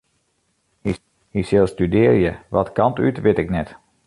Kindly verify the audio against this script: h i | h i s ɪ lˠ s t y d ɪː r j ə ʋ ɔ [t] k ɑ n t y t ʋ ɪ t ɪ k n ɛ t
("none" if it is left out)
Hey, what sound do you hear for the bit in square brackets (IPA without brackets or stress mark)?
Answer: t